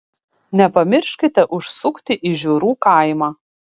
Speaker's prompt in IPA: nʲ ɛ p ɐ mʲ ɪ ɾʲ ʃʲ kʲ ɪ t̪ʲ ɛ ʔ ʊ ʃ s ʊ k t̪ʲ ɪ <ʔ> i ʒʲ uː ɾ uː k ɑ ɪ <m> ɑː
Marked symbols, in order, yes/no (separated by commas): yes, yes